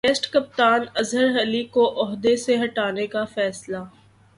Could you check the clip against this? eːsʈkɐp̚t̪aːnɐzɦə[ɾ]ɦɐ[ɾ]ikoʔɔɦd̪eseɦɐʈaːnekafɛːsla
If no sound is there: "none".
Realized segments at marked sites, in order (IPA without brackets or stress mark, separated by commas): ɾ, l